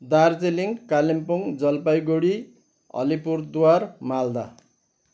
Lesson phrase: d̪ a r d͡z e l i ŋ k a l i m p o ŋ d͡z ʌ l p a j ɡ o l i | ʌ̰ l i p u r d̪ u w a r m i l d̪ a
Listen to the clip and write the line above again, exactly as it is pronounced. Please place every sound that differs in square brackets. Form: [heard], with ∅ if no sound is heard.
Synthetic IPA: d̪ a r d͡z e l i ŋ k a l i m p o ŋ d͡z ʌ l p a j ɡ o [ɽ] i | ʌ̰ l i p u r d̪ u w a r m [a] l d̪ a